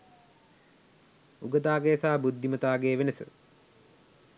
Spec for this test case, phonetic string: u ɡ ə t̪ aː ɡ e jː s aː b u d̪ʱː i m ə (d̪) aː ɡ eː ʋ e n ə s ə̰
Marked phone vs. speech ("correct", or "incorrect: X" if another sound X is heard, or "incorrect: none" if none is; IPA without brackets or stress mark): incorrect: t̪